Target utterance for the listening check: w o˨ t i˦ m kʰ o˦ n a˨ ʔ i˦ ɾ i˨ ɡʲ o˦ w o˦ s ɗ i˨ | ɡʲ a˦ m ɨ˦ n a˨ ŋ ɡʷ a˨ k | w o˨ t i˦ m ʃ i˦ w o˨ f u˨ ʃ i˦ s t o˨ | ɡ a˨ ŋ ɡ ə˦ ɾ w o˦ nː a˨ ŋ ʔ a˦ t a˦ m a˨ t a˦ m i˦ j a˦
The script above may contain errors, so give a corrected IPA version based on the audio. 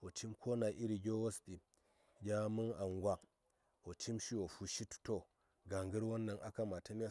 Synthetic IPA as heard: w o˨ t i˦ m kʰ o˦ n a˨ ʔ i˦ ɾ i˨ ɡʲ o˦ w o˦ s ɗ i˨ | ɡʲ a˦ m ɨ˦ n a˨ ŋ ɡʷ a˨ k | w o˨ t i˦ m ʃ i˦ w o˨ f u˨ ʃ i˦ t t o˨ | ɡ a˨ ŋ ɡ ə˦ ɾ w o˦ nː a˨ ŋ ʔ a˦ k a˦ m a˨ t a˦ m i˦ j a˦